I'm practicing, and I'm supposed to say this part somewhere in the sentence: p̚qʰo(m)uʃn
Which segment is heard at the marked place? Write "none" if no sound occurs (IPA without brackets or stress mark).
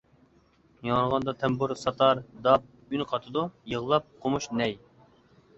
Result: m